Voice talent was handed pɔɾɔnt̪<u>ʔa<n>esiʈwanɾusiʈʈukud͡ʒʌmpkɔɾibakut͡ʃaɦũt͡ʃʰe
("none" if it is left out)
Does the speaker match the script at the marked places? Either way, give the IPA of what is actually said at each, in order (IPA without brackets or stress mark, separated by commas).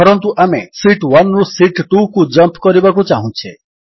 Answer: u, m